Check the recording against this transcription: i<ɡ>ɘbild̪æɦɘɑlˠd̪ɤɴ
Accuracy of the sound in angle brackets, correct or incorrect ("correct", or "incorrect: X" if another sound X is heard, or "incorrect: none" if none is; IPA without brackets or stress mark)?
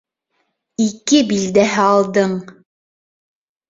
incorrect: k